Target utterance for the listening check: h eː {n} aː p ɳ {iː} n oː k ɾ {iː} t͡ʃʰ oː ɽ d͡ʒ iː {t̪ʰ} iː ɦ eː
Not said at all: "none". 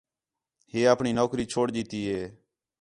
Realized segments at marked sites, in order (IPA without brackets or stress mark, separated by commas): none, iː, iː, t̪